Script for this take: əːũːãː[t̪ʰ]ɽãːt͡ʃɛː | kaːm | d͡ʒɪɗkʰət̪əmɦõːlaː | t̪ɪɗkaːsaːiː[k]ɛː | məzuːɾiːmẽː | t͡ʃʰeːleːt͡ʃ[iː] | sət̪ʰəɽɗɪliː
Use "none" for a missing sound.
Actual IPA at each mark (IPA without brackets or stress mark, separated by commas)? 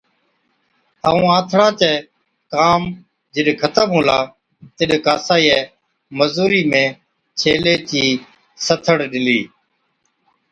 t̪ʰ, none, iː